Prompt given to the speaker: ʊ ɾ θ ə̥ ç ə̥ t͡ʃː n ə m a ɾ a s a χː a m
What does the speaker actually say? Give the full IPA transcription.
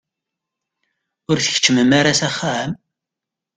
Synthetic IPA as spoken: ʊ ɾ θ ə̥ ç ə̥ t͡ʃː m ə m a ɾ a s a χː a m

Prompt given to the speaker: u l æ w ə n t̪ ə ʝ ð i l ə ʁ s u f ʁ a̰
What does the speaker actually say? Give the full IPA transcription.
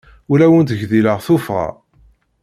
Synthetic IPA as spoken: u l æ w ə n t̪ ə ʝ ð i l ə ʁ θ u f ʁ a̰

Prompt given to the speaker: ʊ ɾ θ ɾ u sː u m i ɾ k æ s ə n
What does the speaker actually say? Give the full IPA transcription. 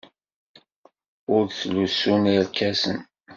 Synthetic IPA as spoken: ʊ ɾ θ l u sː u n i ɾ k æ s ə n

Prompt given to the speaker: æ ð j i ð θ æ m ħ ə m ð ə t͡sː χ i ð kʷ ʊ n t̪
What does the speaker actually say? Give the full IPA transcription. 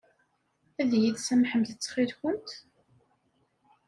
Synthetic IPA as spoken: æ ð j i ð s æ m ħ ə m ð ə t͡sː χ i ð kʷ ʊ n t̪

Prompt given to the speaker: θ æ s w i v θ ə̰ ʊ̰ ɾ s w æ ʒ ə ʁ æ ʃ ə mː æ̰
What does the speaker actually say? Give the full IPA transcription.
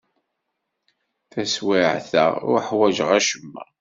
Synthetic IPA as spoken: θ æ s w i ʕ θ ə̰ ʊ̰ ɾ ħ w æ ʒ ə ʁ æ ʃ ə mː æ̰

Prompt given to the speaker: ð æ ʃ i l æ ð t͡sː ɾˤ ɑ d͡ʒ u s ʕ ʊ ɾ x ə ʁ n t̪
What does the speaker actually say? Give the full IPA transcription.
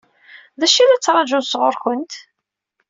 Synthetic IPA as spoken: ð æ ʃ i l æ t͡sː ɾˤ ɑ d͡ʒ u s ʁ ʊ ɾ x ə n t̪

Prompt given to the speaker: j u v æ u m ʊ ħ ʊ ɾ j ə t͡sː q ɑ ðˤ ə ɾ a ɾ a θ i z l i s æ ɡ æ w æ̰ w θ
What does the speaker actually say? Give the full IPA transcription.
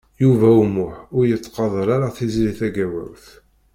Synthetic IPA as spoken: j u v æ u m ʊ ħ ʊ ɾ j ə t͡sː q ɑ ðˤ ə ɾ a ɾ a θ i z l i θ æ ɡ æ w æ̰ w θ

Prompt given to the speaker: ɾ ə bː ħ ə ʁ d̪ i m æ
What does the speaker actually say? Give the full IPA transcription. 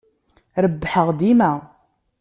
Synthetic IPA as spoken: ɾ ə bː ħ ə ʁ d̪ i m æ

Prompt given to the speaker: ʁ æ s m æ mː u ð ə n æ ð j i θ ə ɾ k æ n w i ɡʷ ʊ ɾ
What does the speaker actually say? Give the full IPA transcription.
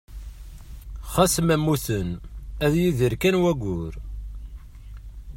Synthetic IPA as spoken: χ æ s m æ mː u θ ə n æ ð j i ð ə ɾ k æ n w æ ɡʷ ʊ ɾ

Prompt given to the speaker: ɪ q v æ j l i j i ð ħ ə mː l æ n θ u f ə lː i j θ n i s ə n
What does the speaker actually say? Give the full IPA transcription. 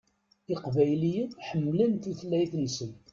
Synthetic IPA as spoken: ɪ q v æ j l i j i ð ħ ə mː l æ n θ u θ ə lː æ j θ n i s ə n

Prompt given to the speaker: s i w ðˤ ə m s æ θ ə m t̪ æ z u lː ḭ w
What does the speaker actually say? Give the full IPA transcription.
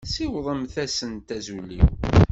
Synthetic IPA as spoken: s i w ðˤ ə m θ æ s ə n t̪ æ z u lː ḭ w

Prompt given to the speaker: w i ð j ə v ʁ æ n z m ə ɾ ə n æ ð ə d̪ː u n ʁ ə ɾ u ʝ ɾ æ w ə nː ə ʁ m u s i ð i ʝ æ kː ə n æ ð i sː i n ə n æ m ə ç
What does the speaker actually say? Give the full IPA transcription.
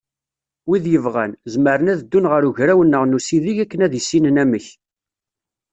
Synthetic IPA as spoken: w i ð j ə v ʁ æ n z m ə ɾ ə n æ ð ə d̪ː u n ʁ ə ɾ u ʝ ɾ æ w ə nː ə ʁ n u s i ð i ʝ æ kː ə n æ ð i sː i n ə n æ m ə ç

